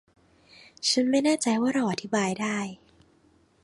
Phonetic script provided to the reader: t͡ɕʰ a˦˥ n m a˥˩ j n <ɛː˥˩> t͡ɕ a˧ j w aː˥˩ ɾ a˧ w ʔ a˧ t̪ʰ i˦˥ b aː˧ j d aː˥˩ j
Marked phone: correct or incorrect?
incorrect